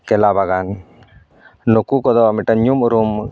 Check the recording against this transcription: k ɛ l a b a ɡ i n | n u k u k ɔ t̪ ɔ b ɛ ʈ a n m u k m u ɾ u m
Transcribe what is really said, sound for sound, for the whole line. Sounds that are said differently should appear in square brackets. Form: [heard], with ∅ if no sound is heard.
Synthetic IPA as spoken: k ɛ l a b a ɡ [a] n | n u k u k ɔ [d̪] ɔ [m] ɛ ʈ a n [ɲ] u [∅] m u ɾ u m

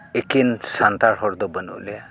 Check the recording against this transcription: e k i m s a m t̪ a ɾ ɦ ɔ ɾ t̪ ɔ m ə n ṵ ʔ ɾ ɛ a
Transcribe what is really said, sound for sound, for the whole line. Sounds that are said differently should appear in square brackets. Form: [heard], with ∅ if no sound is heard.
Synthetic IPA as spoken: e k i [n] s a [n] t̪ a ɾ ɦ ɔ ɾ [d̪] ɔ [b] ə n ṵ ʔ [l] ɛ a

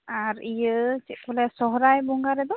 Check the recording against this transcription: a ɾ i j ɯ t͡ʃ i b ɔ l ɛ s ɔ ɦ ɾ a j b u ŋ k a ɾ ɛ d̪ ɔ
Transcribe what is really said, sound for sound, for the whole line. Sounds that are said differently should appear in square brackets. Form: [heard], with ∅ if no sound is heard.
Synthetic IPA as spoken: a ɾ i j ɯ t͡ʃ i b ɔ l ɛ s ɔ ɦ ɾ a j b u ŋ [ɡ] a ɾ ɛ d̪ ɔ

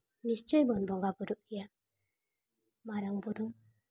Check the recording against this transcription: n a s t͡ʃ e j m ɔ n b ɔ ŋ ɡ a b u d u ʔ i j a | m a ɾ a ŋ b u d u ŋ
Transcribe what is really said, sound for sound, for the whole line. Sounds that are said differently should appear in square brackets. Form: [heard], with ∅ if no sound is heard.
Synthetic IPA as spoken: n [i] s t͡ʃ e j [b] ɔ n b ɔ ŋ ɡ a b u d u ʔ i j a | m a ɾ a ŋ b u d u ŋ

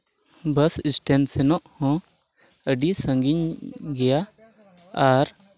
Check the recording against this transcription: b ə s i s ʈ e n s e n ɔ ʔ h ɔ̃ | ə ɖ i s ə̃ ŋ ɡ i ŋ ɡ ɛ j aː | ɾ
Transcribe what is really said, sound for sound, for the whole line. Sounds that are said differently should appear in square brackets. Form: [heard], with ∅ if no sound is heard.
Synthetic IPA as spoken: b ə s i s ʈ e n s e n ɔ ʔ h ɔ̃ | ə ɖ i s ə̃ ŋ ɡ i [ɲ] ɡ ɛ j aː | ɾ

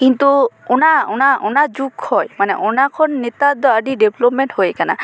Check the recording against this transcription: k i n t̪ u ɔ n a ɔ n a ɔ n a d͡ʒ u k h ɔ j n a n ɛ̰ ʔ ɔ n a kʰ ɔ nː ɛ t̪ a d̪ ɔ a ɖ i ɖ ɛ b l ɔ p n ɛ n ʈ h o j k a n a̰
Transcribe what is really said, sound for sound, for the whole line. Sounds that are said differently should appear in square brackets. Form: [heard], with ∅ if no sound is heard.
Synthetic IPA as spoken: k i n t̪ u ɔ n a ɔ n a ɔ n a d͡ʒ u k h ɔ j [m] a n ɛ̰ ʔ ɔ n a kʰ ɔ nː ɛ t̪ a d̪ ɔ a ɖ i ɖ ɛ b l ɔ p [m] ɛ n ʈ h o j k a n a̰

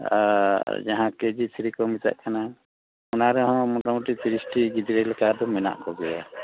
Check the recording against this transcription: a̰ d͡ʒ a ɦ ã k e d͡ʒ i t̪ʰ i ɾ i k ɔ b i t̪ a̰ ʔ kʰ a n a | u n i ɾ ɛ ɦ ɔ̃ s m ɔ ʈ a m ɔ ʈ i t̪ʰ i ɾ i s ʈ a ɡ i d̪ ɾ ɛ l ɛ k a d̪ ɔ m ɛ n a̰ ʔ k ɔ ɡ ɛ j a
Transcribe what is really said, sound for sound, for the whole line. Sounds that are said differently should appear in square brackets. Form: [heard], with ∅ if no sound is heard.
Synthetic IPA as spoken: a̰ d͡ʒ a ɦ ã k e d͡ʒ i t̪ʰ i ɾ i k ɔ [m] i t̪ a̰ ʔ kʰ a n a | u n [a] ɾ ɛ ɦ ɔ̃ [∅] m ɔ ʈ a m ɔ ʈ i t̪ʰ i ɾ i s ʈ [i] ɡ i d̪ ɾ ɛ l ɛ k a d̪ ɔ m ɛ n a̰ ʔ k ɔ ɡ ɛ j a

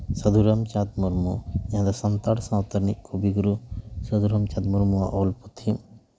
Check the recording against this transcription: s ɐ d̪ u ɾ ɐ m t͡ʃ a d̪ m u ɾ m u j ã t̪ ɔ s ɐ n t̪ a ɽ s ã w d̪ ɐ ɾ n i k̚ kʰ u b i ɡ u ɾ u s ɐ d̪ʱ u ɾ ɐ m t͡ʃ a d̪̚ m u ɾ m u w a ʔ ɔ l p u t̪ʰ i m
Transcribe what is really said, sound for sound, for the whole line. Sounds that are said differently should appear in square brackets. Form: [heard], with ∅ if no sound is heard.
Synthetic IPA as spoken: s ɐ d̪ u ɾ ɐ m t͡ʃ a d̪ m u ɾ m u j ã [d̪] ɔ s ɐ n t̪ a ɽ s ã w [t̪] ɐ ɾ n i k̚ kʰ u b i ɡ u ɾ u s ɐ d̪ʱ u ɾ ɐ m t͡ʃ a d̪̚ m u ɾ m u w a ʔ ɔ l p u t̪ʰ i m

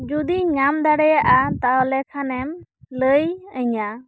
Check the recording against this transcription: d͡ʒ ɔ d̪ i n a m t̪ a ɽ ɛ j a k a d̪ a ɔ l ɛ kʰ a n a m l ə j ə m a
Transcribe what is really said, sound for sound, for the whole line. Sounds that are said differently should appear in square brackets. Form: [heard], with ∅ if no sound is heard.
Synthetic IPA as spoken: d͡ʒ [u] d̪ i [ɲ] a m [d̪] a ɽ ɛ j a [ʔ] a [t̪] a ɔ l ɛ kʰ a n [ɛ] m l ə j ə [ɲ] a

